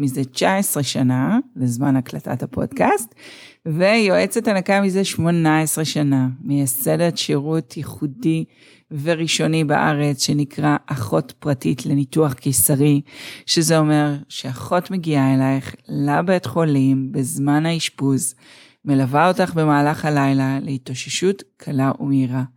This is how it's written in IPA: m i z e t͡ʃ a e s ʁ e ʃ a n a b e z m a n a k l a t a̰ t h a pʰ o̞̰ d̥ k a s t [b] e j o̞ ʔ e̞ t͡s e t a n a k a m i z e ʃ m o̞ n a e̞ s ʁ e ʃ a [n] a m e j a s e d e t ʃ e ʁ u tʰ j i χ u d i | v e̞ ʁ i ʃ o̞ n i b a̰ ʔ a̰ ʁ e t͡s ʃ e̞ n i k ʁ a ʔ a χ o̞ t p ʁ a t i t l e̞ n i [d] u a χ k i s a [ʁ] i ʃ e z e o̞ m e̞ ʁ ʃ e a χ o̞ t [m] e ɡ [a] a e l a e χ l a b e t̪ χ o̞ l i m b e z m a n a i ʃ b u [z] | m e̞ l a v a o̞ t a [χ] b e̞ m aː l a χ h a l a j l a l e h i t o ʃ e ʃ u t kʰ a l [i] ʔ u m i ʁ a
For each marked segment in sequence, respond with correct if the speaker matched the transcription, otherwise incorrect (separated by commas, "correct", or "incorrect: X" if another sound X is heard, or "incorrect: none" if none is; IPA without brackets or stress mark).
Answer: incorrect: v, correct, incorrect: t, correct, correct, incorrect: i, correct, correct, incorrect: a